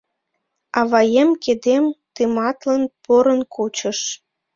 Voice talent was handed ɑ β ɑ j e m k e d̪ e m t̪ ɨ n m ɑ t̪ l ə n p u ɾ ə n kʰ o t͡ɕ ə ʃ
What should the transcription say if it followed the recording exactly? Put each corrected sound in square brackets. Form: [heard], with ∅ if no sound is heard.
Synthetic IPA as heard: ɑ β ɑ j e m k e d̪ e m t̪ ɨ [∅] m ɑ t̪ l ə n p [o] ɾ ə n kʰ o t͡ɕ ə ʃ